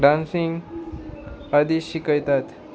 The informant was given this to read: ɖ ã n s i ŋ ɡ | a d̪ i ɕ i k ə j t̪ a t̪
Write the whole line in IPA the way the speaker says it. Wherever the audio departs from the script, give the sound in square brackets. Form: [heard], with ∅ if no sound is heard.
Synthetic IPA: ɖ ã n s i ŋ ɡ | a d̪ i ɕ i k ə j t̪ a t̪